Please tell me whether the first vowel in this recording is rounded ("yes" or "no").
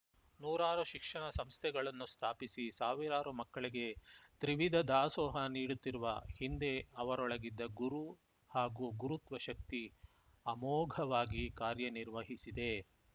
yes